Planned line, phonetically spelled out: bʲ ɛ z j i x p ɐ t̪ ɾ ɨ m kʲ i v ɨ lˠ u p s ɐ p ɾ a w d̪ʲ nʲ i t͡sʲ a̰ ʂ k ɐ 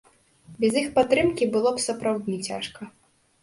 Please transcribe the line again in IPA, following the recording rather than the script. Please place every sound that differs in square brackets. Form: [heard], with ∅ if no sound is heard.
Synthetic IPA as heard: bʲ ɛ z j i x p [a] t̪ ɾ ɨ m kʲ i [b] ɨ lˠ [ɔ] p s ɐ p ɾ a w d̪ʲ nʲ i t͡sʲ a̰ ʂ k ɐ